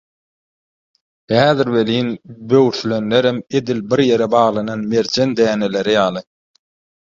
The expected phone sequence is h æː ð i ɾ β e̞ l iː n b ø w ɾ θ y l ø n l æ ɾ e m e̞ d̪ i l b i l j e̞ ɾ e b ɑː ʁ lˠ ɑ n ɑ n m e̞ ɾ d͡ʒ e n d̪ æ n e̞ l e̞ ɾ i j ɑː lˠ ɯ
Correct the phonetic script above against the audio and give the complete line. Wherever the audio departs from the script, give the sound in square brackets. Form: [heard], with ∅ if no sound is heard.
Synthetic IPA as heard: h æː ð i ɾ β e̞ l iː n b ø w ɾ θ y l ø n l [e] ɾ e m e̞ d̪ i l b i [ɾ] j e̞ ɾ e b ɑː ʁ lˠ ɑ n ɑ n m e̞ ɾ d͡ʒ e n d̪ [æː] n e̞ l e̞ ɾ i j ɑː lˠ ɯ